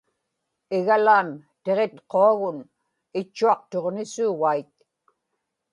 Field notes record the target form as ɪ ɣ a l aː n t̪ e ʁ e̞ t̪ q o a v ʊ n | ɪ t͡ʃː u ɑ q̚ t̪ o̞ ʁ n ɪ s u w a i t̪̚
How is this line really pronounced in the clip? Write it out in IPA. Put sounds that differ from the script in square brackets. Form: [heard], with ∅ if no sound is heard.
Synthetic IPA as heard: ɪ ɣ a l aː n t̪ e ʁ e̞ t̪ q o a [ɣ] ʊ n | ɪ t͡ʃː u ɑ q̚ t̪ o̞ ʁ n ɪ s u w a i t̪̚